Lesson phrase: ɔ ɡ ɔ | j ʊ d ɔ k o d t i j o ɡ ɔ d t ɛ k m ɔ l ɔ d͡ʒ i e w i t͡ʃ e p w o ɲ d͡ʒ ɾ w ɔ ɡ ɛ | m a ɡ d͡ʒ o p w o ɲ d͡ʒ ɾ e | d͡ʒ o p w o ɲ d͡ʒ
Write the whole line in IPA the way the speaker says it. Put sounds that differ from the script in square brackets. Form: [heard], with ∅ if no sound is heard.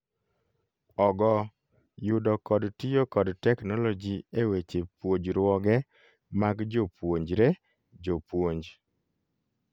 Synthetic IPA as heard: ɔ ɡ ɔ | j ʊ d ɔ k [ɔ] d t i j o [k] ɔ d t ɛ k [n] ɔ l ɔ d͡ʒ i e w [e] t͡ʃ e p w o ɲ d͡ʒ ɾ w ɔ ɡ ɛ | m a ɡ d͡ʒ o p w o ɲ d͡ʒ ɾ e | d͡ʒ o p w o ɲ d͡ʒ